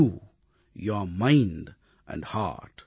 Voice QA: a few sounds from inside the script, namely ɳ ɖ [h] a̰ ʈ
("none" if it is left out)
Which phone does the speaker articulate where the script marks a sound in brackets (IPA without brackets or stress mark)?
h